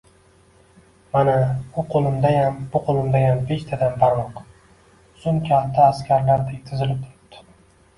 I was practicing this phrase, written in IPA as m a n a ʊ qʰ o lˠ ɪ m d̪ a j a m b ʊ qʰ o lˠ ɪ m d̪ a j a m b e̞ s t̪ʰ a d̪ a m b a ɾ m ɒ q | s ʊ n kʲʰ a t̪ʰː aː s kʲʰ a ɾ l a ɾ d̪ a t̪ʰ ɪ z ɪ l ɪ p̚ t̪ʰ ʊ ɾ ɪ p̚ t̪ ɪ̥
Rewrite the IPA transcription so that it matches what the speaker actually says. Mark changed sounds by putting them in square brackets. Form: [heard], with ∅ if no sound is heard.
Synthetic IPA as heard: m a n a ʊ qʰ o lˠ ɪ m d̪ a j a m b ʊ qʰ o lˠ ɪ m d̪ a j a m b e̞ [ʃ] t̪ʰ a d̪ a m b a ɾ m ɒ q | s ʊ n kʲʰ a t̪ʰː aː s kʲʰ a ɾ l a ɾ d̪ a t̪ʰ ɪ z ɪ l ɪ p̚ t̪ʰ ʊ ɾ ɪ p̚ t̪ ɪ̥

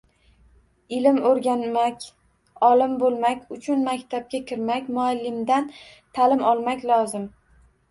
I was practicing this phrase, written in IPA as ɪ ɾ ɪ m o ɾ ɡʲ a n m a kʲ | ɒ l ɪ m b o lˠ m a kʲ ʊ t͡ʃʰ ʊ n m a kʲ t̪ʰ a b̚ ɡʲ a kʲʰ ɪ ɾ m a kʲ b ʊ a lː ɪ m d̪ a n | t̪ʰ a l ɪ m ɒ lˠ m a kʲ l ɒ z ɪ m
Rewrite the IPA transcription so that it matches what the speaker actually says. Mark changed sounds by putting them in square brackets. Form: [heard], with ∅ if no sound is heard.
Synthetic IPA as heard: ɪ [l] ɪ m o ɾ ɡʲ a n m a kʲ | ɒ l ɪ m b o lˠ m a kʲ ʊ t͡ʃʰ ʊ n m a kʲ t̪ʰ a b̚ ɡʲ a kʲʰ ɪ ɾ m a kʲ [m] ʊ a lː ɪ m d̪ a n | t̪ʰ a l ɪ m ɒ lˠ m a kʲ l ɒ z ɪ m

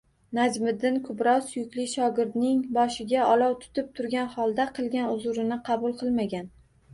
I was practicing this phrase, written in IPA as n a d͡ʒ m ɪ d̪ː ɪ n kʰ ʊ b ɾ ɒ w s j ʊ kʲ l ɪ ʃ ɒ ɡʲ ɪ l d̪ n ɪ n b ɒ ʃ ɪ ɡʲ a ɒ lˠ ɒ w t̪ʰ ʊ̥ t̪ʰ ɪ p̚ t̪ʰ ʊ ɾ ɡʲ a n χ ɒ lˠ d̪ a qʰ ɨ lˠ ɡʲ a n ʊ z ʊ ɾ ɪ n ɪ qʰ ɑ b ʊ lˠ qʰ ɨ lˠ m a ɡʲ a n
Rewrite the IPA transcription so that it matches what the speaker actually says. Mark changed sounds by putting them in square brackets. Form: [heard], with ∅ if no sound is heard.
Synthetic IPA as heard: n a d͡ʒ m ɪ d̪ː ɪ n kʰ ʊ b ɾ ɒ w s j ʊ kʲ l ɪ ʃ ɒ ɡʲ ɪ [ɾ] d̪ n ɪ [ŋ] b ɒ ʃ ɪ ɡʲ a ɒ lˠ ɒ w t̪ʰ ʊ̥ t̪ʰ ɪ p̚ t̪ʰ ʊ ɾ ɡʲ a n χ ɒ lˠ d̪ a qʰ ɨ lˠ ɡʲ a n ʊ z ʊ ɾ ɪ n ɪ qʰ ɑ b ʊ lˠ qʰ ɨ lˠ m a ɡʲ a n

